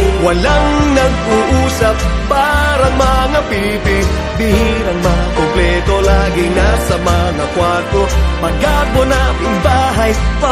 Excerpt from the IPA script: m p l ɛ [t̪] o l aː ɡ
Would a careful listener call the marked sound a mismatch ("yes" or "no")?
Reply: no